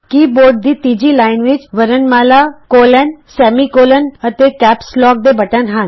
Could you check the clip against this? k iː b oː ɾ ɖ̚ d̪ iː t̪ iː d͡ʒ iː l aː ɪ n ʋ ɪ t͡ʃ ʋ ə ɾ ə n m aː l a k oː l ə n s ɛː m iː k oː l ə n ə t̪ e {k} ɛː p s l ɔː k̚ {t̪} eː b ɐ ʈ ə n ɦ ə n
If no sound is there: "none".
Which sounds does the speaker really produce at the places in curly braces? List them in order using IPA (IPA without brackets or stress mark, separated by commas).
k, d̪